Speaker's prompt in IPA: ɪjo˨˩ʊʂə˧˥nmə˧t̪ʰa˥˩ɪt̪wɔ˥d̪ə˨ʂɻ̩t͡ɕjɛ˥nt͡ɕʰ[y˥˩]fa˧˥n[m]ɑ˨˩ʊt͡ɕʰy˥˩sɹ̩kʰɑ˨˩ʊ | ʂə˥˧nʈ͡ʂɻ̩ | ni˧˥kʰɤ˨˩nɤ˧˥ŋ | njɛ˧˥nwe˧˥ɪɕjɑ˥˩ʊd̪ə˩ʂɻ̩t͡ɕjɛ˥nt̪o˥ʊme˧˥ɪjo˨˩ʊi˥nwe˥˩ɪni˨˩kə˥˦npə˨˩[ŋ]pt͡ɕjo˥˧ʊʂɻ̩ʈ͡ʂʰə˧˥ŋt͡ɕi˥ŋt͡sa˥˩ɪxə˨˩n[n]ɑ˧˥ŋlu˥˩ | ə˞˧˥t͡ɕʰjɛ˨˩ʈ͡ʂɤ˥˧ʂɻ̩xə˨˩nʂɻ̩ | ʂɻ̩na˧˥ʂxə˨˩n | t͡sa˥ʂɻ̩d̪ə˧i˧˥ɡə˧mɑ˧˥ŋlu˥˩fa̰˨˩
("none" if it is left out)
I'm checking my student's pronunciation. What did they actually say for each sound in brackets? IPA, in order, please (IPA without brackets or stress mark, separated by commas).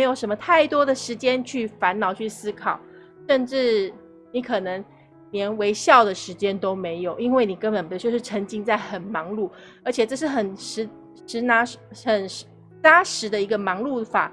y˥˩, n, n, m